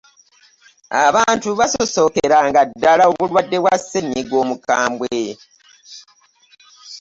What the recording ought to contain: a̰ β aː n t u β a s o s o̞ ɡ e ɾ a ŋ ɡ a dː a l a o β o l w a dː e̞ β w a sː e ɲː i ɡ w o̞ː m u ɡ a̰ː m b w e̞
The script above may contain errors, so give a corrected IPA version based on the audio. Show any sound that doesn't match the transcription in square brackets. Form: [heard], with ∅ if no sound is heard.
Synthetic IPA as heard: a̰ β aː n t u β a s o s o̞ [k] e ɾ a ŋ ɡ a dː a l a o β [u] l w a dː e̞ β w a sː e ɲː i ɡ w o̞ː m u [k] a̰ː m b w e̞